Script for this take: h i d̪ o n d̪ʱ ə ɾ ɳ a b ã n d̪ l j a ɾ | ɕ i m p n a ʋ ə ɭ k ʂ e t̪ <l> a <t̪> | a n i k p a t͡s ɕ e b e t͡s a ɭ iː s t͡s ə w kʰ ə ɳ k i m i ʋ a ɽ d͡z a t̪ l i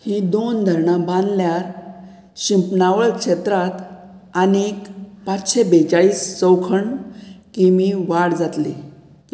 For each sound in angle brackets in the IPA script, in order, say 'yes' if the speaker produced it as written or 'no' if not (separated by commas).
no, yes